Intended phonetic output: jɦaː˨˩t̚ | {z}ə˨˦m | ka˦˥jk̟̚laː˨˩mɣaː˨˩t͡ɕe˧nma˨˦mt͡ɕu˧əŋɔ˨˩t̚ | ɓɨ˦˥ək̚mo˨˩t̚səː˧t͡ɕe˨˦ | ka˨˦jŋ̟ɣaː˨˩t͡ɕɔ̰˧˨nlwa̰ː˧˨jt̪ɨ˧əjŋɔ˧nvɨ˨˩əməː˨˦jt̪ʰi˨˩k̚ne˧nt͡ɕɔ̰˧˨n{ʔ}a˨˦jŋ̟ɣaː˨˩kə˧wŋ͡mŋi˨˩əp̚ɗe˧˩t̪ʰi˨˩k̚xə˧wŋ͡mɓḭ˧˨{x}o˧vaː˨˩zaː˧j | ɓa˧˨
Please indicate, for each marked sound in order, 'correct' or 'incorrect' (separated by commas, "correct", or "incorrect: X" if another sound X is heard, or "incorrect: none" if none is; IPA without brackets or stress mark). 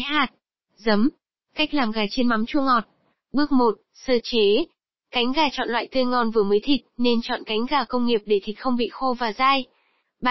correct, incorrect: k, correct